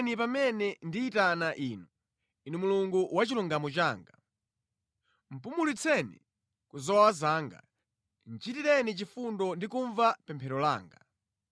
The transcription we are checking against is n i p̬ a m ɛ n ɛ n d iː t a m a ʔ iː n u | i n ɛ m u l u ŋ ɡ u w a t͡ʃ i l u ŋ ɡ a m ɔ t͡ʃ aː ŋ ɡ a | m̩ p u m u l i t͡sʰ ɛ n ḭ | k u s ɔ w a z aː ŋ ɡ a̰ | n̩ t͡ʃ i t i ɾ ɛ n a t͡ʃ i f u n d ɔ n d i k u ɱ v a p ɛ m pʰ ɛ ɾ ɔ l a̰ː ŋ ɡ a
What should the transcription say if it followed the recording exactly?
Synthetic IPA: n i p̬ a m ɛ n ɛ n d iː t a n a ʔ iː n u | i n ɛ m u l u ŋ ɡ u w a t͡ʃ i l u ŋ ɡ a m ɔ t͡ʃ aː ŋ ɡ a | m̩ p u m u l i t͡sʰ ɛ n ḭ | k u z ɔ w a z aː ŋ ɡ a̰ | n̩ t͡ʃ i t i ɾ ɛ n i t͡ʃ i f u n d ɔ n d i k u ɱ v a p ɛ m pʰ ɛ ɾ ɔ l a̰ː ŋ ɡ a